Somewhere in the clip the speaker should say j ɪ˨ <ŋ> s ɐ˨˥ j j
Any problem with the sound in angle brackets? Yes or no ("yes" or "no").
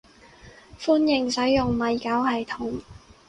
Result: no